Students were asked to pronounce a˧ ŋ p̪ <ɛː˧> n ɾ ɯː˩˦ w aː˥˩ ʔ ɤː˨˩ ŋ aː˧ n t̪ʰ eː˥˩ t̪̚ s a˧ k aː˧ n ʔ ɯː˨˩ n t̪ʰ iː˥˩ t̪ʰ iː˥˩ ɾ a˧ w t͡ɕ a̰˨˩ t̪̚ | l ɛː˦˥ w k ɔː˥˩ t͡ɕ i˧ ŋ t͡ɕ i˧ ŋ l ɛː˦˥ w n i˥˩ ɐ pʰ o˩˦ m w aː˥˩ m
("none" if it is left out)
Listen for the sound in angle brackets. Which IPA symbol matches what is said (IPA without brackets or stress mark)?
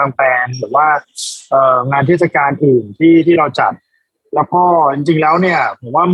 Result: ɛː˧